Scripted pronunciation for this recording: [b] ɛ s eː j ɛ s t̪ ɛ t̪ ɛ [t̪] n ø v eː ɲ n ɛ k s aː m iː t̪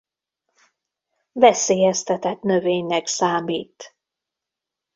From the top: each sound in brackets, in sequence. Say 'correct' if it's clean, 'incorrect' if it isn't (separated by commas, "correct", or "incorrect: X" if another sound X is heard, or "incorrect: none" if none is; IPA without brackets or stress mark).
incorrect: v, correct